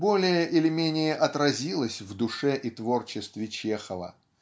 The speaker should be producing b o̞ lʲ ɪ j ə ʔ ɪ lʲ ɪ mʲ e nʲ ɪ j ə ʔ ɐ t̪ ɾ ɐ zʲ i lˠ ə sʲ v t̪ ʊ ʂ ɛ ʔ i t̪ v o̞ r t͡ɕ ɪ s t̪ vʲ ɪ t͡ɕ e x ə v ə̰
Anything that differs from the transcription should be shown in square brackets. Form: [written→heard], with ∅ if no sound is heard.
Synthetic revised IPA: b o̞ lʲ ɪ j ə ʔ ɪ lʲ ɪ mʲ e nʲ ɪ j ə ʔ ɐ t̪ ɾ ɐ zʲ i lˠ ə sʲ v [t̪→d̪] ʊ ʂ ɛ ʔ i t̪ v o̞ r t͡ɕ ɪ s t̪ vʲ ɪ t͡ɕ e x ə v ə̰